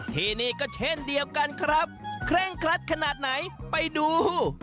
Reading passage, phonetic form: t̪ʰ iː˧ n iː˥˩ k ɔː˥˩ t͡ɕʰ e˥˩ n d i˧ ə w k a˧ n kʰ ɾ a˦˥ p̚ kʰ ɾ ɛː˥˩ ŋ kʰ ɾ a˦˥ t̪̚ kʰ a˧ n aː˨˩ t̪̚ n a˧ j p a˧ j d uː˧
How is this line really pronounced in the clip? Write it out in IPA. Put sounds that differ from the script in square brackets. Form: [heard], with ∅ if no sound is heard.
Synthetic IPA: t̪ʰ iː˧ n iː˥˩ k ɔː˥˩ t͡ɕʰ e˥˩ n d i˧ ə w k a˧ n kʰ ɾ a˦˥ p̚ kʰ ɾ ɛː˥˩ ŋ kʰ ɾ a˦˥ t̪̚ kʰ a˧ n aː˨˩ t̪̚ n [a˩˦] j p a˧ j d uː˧